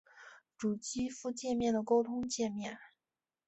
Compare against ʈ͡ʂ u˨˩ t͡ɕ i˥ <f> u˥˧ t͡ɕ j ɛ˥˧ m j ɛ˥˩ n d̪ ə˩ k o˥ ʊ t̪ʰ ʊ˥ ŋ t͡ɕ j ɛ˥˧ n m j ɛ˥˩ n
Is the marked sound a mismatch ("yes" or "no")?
no